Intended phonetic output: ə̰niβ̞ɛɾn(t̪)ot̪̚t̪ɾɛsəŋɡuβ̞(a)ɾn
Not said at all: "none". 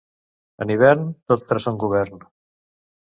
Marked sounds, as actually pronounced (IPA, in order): t̪, ɛ

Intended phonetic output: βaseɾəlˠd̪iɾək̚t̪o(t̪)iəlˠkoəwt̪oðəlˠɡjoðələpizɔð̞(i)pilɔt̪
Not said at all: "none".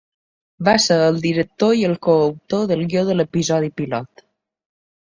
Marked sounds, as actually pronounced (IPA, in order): none, i

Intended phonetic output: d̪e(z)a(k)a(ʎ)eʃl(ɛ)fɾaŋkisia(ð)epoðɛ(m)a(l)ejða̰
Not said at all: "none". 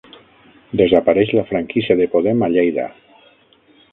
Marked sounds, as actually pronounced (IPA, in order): z, p, ɾ, a, ð, m, ʎ

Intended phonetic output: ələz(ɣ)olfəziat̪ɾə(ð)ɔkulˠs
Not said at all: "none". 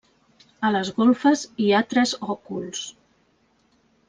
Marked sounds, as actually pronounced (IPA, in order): ɣ, z

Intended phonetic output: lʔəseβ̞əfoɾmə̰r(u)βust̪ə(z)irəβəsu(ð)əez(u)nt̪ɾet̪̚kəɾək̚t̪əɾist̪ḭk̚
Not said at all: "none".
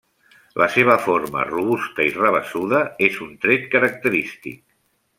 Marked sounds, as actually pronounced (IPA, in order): u, none, ð, u

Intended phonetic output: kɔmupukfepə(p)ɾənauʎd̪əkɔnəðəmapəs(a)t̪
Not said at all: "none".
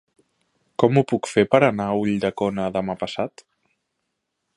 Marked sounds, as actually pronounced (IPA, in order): none, a

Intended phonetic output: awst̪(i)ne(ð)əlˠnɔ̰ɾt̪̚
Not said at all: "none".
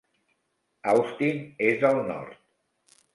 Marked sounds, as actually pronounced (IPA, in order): i, z

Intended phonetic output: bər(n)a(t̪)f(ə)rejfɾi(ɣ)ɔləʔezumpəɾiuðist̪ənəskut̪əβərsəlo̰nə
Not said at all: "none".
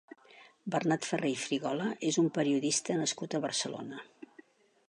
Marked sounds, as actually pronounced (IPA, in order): n, t̪, ə, ɣ

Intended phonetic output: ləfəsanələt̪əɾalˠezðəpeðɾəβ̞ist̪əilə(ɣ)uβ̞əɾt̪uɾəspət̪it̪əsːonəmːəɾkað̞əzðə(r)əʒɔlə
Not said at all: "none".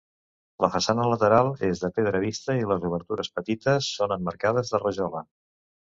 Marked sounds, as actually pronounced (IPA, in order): z, r

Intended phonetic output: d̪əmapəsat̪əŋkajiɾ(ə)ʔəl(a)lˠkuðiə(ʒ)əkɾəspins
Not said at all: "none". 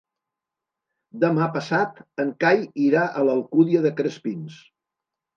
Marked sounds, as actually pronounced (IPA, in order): a, ə, ð

